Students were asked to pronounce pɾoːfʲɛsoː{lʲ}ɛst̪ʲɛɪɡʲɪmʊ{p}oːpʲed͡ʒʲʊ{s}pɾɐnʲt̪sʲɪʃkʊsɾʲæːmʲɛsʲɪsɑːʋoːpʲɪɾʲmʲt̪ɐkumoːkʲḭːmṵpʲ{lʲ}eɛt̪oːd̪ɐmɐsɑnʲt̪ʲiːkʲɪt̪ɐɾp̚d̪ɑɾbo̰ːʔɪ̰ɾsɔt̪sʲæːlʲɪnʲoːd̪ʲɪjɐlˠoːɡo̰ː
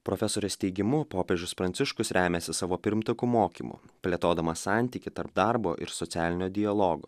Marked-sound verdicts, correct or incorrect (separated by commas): incorrect, correct, correct, correct